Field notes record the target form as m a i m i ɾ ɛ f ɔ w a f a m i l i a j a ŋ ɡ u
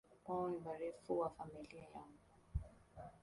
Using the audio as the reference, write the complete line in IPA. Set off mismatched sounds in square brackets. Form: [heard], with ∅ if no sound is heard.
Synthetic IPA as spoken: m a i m [a] ɾ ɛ f [u] w a f a m i l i a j a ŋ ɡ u